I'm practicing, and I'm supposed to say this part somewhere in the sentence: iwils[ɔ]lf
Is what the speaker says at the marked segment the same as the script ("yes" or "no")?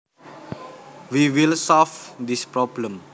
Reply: yes